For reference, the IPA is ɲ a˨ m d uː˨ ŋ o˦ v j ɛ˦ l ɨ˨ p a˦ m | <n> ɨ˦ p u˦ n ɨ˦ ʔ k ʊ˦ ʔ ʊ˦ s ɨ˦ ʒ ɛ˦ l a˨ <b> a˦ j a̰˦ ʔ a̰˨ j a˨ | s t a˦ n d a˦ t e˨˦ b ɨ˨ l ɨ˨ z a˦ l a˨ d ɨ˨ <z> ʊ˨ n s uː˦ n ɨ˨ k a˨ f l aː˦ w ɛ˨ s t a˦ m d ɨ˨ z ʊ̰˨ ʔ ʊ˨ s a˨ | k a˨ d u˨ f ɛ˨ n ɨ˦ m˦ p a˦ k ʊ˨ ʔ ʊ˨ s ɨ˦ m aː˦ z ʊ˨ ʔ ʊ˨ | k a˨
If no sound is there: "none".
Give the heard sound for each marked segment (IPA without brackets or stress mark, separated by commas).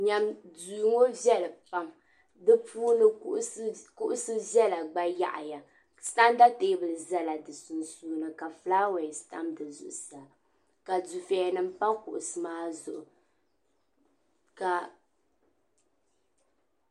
d, ɡ͡b, s